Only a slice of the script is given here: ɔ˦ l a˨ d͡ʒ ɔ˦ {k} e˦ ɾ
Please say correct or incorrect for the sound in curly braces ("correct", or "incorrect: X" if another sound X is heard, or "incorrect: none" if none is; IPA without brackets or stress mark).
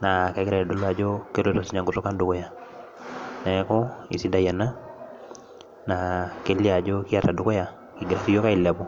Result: correct